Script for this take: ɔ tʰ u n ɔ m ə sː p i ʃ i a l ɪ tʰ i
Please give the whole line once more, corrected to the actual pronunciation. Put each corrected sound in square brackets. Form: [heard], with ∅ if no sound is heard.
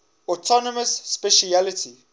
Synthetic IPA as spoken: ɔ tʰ [ɔ] n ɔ m ə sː p [ɛ] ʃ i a l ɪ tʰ i